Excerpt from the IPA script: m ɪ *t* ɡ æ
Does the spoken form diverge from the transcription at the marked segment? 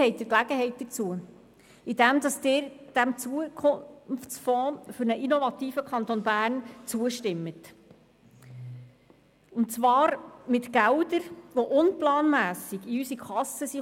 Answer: no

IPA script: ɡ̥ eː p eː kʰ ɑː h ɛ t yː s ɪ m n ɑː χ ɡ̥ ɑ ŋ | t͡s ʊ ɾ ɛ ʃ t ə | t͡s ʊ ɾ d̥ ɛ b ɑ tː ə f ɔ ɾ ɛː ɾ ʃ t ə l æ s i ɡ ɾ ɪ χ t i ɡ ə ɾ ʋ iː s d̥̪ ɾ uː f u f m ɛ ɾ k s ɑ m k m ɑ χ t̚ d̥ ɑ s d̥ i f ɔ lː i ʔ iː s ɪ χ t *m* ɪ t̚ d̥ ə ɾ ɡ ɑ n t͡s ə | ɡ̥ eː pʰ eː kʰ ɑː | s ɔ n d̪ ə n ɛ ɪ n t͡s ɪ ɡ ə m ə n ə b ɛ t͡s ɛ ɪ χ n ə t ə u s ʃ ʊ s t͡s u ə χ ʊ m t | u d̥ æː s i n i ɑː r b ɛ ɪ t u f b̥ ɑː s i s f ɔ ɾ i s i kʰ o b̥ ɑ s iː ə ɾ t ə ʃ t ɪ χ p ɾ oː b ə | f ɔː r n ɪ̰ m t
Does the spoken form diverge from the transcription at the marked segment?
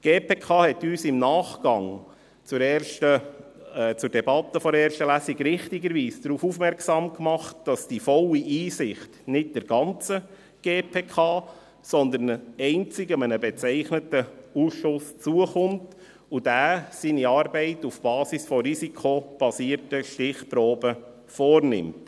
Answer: yes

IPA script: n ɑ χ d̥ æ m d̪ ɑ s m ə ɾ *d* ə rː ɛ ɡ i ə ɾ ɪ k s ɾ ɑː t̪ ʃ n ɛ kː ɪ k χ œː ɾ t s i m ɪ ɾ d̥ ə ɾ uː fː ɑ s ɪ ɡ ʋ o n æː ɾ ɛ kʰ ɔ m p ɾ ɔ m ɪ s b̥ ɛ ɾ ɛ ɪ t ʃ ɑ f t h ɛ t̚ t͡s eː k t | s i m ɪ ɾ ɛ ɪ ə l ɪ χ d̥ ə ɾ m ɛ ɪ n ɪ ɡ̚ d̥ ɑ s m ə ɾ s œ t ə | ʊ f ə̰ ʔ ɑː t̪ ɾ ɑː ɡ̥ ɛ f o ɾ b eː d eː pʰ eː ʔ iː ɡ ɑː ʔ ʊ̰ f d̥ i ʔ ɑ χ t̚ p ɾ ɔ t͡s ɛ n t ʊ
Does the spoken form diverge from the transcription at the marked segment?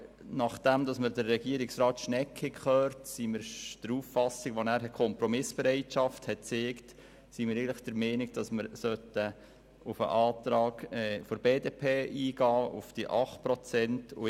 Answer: no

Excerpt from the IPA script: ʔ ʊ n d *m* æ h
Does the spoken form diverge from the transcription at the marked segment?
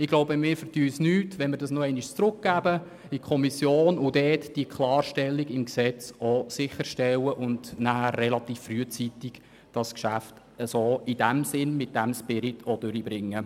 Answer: yes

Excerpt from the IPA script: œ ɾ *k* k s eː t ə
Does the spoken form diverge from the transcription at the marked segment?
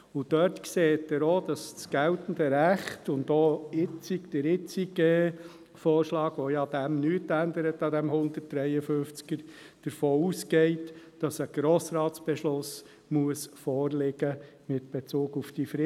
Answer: yes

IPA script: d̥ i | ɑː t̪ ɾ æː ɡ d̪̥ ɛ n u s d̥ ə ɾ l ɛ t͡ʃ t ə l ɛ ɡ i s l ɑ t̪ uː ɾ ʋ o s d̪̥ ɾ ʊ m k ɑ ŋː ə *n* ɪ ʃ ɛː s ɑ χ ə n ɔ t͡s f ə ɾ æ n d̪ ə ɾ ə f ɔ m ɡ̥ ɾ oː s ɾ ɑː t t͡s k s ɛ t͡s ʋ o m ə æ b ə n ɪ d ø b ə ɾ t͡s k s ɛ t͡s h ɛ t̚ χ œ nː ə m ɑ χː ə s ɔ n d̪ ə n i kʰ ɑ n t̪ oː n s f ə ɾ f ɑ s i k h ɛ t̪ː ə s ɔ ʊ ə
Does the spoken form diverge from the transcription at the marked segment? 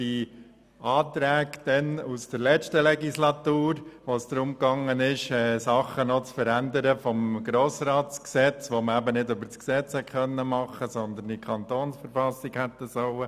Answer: no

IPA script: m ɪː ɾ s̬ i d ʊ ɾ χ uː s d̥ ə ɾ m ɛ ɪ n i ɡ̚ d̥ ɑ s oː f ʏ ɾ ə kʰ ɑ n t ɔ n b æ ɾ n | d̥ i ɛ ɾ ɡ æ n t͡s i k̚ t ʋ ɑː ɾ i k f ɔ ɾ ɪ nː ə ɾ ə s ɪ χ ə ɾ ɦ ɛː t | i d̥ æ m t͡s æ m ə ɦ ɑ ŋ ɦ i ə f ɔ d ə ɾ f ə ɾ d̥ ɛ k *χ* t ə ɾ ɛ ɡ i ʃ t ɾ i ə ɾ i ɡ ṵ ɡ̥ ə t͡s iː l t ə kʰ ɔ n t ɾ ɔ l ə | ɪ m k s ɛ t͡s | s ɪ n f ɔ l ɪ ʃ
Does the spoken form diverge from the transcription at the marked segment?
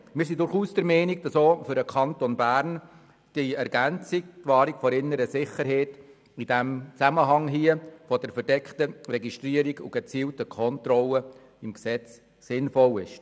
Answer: no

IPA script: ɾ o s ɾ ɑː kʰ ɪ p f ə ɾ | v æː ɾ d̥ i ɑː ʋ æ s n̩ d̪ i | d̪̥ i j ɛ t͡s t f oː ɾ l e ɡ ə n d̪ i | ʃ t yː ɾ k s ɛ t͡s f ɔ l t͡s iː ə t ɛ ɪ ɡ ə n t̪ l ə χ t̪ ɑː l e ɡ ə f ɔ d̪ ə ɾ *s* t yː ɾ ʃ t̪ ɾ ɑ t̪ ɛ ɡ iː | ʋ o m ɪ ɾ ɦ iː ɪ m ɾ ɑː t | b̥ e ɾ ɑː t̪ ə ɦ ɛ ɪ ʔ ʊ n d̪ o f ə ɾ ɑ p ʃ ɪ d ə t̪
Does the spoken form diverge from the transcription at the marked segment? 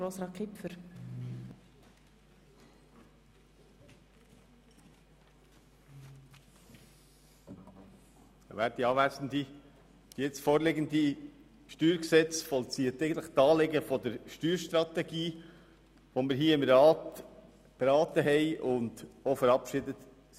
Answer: yes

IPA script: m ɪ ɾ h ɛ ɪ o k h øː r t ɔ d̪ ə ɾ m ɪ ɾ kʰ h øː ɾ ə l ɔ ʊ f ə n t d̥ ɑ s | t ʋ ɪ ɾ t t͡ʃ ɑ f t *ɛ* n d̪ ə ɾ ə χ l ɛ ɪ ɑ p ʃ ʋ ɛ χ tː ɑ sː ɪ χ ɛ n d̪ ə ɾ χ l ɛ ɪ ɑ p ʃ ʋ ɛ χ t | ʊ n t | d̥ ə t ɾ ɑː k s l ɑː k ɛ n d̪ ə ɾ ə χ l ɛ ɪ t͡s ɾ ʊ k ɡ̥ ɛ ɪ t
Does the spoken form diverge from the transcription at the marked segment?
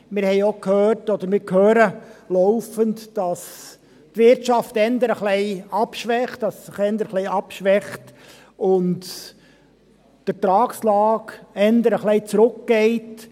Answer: no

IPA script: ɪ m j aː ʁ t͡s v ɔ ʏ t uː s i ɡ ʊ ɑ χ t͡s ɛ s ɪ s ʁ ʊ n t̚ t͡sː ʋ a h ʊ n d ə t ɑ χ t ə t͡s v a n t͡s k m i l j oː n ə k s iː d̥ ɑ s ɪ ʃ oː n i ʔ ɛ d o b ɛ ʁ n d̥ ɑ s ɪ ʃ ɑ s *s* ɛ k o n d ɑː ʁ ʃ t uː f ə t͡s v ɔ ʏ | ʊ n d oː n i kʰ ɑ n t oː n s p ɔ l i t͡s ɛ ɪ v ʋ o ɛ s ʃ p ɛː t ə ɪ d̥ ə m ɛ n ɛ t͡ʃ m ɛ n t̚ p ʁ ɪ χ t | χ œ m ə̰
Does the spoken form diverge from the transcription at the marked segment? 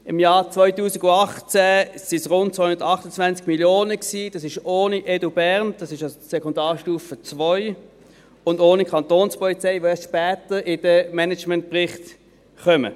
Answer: no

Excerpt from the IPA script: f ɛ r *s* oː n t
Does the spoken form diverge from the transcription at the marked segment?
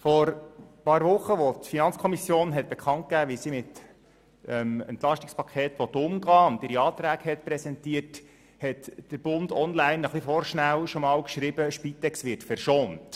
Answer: yes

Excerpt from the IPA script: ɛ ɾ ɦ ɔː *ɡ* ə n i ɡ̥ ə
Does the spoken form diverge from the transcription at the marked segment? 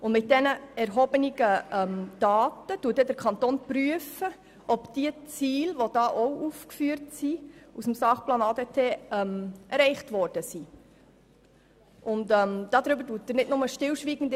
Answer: yes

